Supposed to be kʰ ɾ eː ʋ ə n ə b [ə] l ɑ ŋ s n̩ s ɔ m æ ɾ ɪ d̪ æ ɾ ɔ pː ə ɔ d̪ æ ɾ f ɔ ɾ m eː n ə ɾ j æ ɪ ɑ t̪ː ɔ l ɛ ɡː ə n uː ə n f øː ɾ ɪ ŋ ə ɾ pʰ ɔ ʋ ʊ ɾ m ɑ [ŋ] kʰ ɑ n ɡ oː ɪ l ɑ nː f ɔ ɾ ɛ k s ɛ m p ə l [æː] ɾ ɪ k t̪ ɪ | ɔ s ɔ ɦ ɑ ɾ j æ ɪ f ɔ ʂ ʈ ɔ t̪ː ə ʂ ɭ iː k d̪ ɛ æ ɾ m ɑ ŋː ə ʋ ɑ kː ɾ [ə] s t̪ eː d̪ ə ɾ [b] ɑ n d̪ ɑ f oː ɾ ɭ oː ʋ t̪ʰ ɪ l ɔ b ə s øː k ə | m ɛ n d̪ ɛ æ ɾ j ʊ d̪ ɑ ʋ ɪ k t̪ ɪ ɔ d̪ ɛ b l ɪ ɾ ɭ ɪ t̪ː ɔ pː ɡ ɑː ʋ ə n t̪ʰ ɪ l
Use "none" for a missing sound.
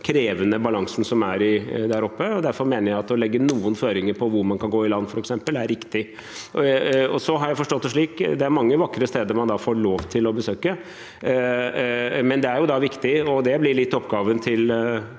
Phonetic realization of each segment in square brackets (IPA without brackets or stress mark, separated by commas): ɑ, n, æ, ə, m